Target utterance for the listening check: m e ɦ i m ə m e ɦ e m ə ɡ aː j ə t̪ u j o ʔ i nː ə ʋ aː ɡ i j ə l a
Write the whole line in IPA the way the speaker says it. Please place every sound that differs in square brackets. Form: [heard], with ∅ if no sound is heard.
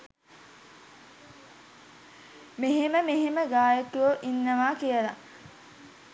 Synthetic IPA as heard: m e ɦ [e] m ə m e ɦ e m ə ɡ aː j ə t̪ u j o ʔ i nː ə ʋ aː [k] i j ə l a